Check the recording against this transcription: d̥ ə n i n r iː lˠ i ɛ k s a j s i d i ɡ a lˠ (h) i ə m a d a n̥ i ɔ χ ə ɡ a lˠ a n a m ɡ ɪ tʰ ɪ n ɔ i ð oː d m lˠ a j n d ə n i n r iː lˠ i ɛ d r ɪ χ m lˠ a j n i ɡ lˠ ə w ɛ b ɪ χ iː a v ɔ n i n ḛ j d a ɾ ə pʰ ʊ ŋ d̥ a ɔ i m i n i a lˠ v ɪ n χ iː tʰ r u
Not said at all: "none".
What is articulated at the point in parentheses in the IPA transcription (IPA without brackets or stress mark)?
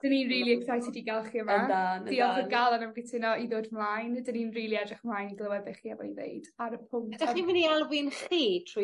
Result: χ